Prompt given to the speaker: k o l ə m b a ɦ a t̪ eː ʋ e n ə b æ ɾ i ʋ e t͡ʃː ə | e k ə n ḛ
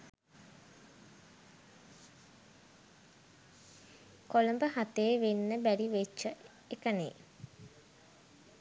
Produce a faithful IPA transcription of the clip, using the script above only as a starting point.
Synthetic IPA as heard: k o l ə m b ə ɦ a t̪ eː ʋ e nː ə b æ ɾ i ʋ e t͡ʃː ə | e k ə n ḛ